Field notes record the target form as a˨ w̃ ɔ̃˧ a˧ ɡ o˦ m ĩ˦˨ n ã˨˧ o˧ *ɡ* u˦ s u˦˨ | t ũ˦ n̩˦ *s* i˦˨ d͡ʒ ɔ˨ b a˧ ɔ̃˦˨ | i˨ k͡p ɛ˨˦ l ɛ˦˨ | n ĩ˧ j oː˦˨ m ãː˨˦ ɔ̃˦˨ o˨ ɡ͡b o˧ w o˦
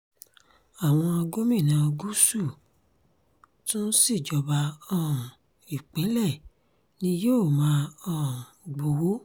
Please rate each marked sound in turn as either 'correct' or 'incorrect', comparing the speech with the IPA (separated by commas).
correct, correct